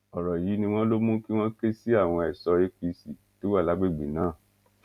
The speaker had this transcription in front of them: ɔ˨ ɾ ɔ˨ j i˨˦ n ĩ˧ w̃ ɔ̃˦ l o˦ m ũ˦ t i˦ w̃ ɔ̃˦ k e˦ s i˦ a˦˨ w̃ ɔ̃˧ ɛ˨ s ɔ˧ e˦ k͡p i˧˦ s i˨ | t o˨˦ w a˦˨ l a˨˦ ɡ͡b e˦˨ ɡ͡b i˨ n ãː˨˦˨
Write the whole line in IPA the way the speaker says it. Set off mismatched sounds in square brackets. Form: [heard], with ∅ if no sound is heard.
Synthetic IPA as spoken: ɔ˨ ɾ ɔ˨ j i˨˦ n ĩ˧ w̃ ɔ̃˦ l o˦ m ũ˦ [k] i˦ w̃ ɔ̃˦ k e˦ s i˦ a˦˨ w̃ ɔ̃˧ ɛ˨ s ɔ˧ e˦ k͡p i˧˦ s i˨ | t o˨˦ w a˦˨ l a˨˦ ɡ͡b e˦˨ ɡ͡b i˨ n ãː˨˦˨